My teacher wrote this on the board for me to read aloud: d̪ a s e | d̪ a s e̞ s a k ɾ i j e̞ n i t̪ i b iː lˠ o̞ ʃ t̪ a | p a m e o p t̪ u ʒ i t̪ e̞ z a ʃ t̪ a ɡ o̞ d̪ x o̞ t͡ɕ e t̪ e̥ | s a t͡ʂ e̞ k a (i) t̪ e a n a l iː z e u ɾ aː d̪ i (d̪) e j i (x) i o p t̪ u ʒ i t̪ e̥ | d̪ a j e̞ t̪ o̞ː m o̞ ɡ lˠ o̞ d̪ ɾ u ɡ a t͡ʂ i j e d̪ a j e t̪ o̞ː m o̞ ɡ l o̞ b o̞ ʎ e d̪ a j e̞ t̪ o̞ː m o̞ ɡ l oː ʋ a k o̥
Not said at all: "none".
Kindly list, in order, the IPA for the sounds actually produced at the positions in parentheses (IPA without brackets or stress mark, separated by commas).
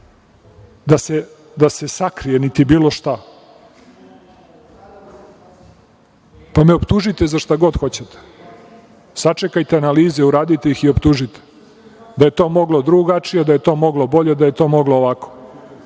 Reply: j, t̪, x